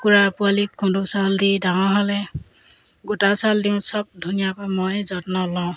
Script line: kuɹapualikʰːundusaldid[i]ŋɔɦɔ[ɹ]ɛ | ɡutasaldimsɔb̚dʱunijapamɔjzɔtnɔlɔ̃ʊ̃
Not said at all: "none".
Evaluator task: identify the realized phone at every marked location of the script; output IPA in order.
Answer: a, l

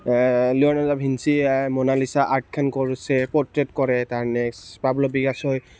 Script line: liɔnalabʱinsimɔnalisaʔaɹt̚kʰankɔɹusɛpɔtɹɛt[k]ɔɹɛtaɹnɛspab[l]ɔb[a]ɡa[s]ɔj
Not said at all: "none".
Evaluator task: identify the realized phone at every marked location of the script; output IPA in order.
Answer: k, l, i, s

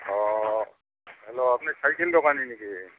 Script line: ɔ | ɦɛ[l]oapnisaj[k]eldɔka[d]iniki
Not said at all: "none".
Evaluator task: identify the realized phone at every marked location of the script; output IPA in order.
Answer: l, k, n

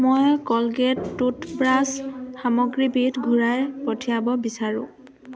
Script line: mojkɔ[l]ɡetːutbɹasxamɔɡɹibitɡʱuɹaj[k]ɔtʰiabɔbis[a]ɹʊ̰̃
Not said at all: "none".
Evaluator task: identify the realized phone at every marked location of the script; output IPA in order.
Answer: l, p, a

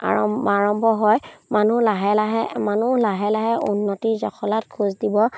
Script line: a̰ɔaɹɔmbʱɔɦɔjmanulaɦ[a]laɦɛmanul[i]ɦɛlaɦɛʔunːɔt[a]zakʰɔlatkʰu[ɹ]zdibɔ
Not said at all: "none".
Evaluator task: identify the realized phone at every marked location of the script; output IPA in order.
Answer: ɛ, a, i, none

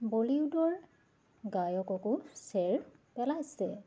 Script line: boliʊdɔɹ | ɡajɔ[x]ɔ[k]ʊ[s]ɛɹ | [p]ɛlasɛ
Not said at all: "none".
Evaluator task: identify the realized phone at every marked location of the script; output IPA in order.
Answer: k, k, s, p

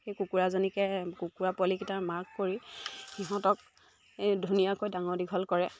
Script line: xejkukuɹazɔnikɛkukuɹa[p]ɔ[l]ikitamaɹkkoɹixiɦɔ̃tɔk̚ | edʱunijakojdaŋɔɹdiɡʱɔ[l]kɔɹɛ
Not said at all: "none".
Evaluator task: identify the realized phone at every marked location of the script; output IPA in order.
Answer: p, l, l

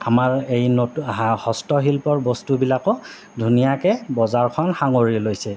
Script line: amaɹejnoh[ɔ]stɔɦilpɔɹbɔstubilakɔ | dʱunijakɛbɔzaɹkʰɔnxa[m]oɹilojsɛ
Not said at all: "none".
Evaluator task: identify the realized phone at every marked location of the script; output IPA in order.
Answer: ɔ, ŋ

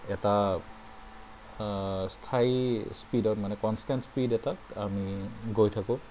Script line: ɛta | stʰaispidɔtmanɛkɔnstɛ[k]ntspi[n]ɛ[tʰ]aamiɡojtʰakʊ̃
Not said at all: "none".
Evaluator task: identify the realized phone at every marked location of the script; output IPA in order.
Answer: none, d, t

